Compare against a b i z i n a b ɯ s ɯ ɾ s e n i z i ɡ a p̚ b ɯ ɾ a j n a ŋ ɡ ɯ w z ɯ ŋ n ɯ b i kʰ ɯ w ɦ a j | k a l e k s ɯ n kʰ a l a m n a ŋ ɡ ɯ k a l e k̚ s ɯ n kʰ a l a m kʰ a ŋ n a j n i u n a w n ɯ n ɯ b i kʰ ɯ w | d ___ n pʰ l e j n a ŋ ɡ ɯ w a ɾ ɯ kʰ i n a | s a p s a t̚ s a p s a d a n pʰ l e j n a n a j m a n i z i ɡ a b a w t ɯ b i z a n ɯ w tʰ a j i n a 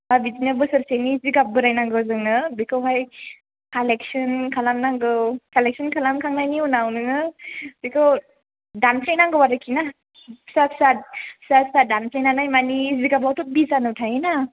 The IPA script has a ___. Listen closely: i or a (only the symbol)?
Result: a